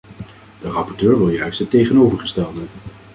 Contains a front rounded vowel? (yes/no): yes